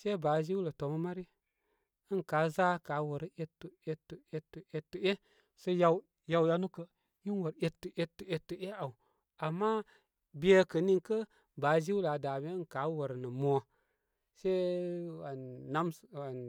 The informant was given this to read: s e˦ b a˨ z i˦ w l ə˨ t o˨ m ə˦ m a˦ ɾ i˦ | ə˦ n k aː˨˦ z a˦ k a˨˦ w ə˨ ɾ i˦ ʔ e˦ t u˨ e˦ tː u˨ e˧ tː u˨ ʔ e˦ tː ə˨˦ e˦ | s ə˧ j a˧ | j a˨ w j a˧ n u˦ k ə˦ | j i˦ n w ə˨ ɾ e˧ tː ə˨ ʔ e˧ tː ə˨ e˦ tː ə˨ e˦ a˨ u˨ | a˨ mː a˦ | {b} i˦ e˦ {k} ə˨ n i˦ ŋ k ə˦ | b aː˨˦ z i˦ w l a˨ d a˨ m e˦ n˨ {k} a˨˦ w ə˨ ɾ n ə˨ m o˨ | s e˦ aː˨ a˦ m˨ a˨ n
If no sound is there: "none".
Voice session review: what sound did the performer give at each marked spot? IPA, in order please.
b, k, k

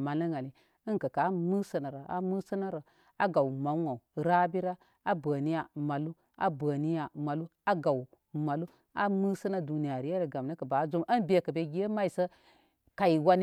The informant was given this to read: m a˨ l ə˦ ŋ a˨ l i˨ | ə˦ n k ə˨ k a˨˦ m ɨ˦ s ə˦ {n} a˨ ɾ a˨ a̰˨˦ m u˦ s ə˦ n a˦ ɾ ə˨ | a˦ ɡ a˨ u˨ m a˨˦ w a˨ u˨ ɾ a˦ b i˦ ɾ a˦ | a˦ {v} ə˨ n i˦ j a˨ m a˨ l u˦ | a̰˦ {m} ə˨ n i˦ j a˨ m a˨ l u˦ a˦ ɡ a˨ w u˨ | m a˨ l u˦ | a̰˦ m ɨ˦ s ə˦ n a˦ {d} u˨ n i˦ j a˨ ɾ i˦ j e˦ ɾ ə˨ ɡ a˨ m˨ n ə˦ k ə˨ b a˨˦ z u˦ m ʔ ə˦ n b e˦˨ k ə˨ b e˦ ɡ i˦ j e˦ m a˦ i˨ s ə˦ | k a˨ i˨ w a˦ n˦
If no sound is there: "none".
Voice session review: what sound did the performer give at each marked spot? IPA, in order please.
n, b, b, d

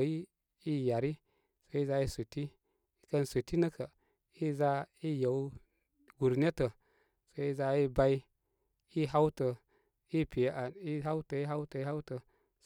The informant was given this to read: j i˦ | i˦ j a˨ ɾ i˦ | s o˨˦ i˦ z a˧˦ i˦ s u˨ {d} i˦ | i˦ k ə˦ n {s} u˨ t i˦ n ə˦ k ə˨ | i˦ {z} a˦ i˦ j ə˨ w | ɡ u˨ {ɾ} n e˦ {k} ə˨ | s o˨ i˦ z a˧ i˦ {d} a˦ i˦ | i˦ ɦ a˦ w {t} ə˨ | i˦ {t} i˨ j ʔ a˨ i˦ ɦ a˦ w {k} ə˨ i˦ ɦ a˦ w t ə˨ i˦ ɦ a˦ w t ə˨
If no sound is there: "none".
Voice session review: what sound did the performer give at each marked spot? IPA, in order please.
t, s, z, ɾ, t, b, t, p, t

